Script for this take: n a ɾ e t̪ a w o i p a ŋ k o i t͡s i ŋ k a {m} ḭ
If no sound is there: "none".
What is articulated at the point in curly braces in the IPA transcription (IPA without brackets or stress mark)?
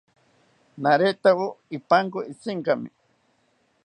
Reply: m